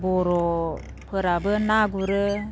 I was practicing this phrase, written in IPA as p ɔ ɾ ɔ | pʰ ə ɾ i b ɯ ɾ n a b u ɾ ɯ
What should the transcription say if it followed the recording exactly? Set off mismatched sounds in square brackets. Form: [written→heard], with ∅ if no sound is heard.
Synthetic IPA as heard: [p→b] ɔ ɾ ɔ | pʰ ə ɾ [i→a] b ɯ [ɾ→∅] n a [b→ɡ] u ɾ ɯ